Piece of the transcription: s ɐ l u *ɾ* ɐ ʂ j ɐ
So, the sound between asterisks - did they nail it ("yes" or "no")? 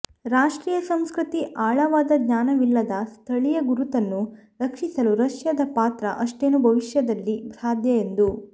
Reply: yes